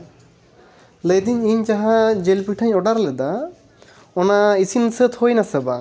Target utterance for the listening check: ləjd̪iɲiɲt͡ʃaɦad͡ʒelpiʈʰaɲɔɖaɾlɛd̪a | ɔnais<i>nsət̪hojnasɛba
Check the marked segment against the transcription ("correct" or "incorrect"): correct